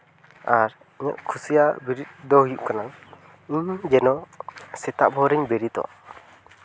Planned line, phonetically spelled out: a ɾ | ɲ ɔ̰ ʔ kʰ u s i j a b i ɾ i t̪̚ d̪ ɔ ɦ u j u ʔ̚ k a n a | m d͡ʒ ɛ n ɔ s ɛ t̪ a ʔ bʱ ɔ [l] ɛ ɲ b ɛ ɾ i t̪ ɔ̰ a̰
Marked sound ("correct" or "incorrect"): incorrect